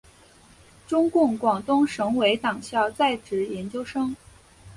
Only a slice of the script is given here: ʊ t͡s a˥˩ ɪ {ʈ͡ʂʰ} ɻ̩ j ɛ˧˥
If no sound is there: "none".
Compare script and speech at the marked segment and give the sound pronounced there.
ʈ͡ʂ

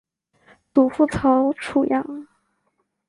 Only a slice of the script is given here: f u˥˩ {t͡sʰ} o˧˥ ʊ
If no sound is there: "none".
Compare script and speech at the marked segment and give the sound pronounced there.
t͡sʰ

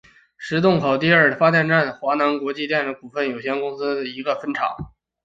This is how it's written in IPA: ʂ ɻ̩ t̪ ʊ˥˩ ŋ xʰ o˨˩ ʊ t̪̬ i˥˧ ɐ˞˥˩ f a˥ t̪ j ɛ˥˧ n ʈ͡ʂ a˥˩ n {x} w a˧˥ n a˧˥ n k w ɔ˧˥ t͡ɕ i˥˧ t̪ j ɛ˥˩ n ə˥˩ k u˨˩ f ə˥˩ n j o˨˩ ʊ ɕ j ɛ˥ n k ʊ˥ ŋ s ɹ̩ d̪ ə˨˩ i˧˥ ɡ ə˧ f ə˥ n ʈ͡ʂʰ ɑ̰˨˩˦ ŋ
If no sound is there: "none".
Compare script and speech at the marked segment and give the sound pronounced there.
x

